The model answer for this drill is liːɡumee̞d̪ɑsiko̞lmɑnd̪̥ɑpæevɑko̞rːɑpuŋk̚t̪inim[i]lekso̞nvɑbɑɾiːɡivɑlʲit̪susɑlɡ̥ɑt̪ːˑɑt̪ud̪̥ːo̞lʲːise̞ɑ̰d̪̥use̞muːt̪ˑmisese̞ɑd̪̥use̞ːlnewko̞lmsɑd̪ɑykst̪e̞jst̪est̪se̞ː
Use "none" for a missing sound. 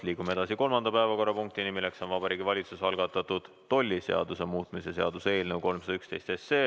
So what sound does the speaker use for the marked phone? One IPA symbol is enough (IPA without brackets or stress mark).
i